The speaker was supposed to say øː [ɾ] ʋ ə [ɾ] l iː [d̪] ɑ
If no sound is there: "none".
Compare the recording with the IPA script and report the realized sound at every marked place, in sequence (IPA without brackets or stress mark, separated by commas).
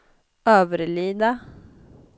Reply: none, ɾ, d̪